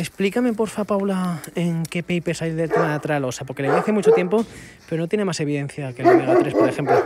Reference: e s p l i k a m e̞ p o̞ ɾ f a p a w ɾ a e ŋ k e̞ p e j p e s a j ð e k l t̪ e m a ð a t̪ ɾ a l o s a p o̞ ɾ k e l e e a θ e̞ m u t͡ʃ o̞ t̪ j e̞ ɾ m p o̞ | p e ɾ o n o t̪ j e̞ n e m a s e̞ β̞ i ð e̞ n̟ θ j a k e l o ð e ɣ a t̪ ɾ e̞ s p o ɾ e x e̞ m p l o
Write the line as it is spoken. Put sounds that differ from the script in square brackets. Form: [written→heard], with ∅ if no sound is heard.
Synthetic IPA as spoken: e s p l i k a m e̞ p o̞ ɾ f a p a w [ɾ→l] a e ŋ k e̞ p e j p e s a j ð e [k→∅] l t̪ e m a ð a t̪ ɾ a l o s a p o̞ ɾ k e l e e a θ e̞ m u t͡ʃ o̞ t̪ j e̞ [ɾ→∅] m p o̞ | p e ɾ o n o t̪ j e̞ n e m a s e̞ β̞ i ð e̞ n̟ θ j a k e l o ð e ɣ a t̪ ɾ e̞ s p o ɾ e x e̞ m p l o

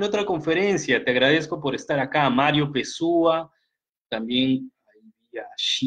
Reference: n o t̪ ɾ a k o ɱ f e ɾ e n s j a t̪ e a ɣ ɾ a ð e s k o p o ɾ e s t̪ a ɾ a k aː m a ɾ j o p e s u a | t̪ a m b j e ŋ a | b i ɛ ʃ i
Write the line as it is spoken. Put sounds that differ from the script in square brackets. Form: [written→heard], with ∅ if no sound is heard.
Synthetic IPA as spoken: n o t̪ ɾ a k o ɱ f e ɾ e n s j a t̪ e a ɣ ɾ a ð e s k o p o ɾ e s t̪ a ɾ a k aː m a ɾ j o p e s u a | t̪ a m b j e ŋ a | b i [ɛ→a] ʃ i

